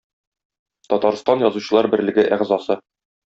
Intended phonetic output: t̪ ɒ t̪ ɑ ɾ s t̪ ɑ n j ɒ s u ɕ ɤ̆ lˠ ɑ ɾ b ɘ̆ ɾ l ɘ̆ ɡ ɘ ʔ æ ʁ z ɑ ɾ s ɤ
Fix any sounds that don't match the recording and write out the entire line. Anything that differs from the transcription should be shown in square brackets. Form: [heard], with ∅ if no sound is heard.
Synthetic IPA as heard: t̪ ɒ t̪ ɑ ɾ s t̪ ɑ n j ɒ [z] u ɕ ɤ̆ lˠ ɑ ɾ b ɘ̆ ɾ l ɘ̆ ɡ ɘ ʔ æ ʁ z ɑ [∅] s ɤ